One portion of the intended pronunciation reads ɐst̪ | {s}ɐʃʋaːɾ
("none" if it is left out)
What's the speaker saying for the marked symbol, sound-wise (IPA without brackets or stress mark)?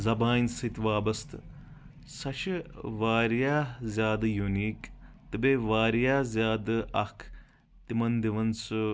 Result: s